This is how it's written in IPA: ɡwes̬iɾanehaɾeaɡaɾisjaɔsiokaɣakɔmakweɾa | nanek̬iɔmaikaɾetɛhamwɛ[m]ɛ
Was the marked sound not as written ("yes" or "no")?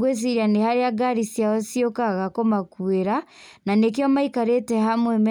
no